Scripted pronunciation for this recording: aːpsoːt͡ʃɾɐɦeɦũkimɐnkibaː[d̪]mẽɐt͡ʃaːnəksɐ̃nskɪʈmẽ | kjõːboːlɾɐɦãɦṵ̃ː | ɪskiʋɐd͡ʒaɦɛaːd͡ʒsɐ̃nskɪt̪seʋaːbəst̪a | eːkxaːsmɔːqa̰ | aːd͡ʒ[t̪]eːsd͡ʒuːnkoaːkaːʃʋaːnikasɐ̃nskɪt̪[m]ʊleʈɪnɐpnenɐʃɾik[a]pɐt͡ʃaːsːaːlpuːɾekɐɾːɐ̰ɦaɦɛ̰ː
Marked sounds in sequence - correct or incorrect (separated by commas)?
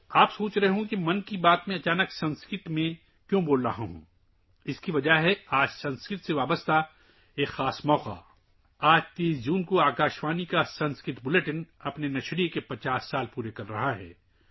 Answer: incorrect, correct, incorrect, incorrect